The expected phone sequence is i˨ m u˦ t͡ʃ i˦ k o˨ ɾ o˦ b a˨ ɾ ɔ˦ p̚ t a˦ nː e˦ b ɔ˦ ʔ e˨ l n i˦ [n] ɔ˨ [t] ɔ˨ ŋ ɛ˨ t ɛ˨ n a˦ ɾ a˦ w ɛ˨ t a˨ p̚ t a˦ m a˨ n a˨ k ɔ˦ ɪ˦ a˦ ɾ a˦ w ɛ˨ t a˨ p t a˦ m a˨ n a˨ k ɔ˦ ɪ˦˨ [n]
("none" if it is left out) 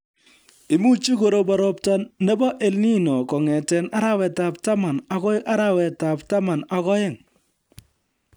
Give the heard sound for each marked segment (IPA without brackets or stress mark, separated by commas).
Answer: n, k, ŋ